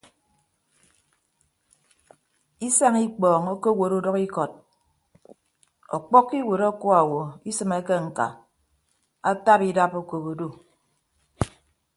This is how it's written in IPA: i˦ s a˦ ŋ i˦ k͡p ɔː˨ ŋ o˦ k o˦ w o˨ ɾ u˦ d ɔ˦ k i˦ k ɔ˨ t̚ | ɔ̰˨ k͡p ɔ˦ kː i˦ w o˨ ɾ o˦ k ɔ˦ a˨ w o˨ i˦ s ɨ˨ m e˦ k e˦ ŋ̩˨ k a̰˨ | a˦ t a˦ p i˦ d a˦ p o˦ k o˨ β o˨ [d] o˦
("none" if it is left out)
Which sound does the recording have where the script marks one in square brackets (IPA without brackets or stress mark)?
d